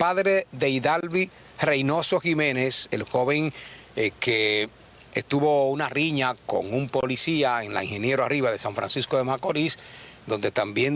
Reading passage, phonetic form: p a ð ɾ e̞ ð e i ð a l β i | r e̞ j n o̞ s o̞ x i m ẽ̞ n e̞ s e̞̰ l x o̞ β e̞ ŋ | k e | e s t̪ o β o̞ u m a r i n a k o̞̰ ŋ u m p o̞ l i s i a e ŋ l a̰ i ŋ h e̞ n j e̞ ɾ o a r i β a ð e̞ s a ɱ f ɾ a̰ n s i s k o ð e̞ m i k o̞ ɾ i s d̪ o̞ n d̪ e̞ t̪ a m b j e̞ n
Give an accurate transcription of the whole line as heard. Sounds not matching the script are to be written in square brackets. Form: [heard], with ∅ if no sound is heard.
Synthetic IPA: p a ð ɾ e̞ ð e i ð a l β i | r e̞ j n o̞ s o̞ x i m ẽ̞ n e̞ s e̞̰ l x o̞ β e̞ ŋ | k e | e s t̪ [u] β o̞ u [n] a r i [ɲ] a k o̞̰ ŋ u m p o̞ l i s i a e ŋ l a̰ i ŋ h e̞ n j e̞ ɾ o a r i β a ð e̞ s a ɱ f ɾ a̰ n s i s k o ð e̞ m [a] k o̞ ɾ i s d̪ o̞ n d̪ e̞ t̪ a m b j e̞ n